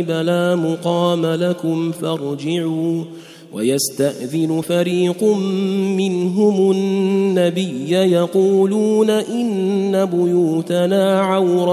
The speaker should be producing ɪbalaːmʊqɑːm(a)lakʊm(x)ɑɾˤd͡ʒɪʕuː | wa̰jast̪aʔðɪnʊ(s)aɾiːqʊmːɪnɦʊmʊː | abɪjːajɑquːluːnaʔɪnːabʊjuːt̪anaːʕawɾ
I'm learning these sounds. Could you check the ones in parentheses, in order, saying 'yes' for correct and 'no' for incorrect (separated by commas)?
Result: yes, no, no